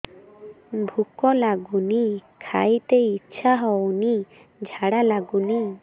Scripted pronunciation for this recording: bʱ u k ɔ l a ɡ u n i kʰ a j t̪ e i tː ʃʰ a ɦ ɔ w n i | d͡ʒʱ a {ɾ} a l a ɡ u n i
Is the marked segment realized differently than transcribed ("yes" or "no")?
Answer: yes